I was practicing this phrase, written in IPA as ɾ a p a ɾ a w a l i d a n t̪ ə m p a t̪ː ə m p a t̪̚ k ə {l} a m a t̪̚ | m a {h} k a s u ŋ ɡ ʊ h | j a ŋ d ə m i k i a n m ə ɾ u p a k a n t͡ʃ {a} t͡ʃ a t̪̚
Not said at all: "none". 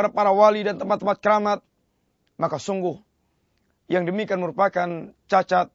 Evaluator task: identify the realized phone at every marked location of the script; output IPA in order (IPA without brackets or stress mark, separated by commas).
ɾ, none, a